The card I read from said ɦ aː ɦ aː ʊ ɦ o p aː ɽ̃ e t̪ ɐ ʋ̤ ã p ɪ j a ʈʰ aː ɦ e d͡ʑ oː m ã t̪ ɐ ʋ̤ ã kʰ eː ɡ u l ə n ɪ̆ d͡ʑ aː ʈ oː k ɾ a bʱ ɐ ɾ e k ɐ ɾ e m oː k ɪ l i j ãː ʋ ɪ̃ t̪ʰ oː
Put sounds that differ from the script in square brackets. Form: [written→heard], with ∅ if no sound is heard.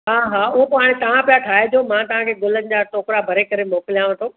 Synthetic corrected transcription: ɦ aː ɦ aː ʊ ɦ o p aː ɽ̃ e t̪ ɐ ʋ̤ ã p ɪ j a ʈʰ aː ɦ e d͡ʑ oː m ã t̪ ɐ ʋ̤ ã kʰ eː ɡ [u→ʊ] l ə n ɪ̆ d͡ʑ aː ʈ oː k ɾ a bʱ ɐ ɾ e k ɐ ɾ e m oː k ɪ l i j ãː ʋ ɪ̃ t̪ʰ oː